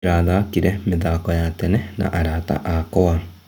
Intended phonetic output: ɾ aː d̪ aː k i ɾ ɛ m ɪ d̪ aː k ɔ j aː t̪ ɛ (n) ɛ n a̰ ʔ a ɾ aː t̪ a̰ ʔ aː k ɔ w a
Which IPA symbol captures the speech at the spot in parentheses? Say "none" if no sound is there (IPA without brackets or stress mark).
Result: n